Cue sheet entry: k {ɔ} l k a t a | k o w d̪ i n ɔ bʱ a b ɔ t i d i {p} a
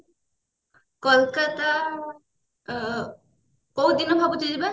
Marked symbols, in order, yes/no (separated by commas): yes, no